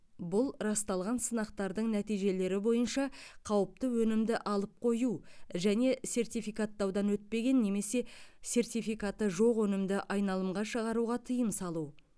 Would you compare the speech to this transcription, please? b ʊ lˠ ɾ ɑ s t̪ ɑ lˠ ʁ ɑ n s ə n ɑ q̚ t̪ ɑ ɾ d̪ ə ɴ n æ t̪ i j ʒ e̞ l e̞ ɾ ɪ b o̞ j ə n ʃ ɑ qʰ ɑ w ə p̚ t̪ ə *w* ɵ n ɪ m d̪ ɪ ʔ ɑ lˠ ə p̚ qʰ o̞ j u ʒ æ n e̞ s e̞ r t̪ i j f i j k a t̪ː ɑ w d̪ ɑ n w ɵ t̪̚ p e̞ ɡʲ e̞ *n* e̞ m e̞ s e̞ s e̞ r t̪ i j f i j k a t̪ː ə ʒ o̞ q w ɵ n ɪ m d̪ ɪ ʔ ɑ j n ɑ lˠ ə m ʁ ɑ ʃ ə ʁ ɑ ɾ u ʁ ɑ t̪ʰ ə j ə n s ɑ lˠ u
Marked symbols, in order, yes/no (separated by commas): yes, no